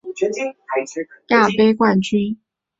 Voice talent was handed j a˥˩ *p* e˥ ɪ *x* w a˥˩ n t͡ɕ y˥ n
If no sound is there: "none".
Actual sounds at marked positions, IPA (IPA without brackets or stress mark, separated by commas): p, k